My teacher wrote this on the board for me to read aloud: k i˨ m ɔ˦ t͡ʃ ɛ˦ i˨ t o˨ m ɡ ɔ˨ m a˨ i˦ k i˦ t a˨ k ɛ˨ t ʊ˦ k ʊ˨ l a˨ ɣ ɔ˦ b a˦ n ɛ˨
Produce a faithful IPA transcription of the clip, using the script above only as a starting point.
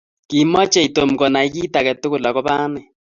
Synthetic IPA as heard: k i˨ m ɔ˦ t͡ʃ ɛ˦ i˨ t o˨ m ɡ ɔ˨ n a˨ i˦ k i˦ t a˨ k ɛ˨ t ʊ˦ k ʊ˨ l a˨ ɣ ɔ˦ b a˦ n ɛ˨